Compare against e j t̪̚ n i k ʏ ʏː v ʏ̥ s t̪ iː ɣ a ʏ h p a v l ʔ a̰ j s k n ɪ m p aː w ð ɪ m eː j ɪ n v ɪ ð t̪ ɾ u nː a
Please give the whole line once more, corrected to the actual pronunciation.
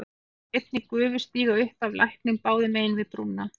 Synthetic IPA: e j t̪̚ n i k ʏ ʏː v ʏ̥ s t̪ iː ɣ a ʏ h p a v l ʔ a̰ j h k n ɪ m p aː w ð ɪ m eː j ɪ n v ɪ ð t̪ ɾ u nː a